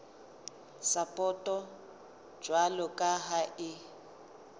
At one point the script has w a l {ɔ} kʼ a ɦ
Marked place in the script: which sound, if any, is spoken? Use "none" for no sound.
ɔ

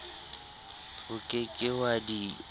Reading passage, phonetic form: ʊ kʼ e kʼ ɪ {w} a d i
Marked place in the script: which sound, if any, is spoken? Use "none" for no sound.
w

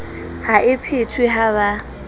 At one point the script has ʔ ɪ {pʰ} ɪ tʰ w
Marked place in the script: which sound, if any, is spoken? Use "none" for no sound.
pʰ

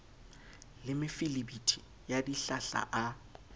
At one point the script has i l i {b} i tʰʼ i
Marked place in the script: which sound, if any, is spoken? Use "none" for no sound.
b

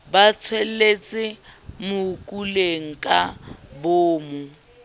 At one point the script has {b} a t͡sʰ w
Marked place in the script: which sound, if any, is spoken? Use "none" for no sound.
b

